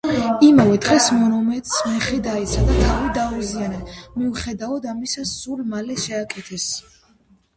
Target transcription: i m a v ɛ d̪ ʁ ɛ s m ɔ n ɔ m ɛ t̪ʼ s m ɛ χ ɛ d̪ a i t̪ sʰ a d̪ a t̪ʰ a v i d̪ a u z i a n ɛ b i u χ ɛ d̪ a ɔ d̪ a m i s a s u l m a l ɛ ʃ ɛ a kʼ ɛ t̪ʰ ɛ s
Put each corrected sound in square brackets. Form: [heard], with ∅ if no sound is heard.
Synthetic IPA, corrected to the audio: i m a v ɛ d̪ ʁ ɛ s m ɔ n ɔ m ɛ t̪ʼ s m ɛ χ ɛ d̪ a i t̪ sʰ a d̪ a t̪ʰ a v i d̪ a u z i a n ɛ [m] i u χ ɛ d̪ a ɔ d̪ a m i s a s u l m a l ɛ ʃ ɛ a kʼ ɛ t̪ʰ ɛ s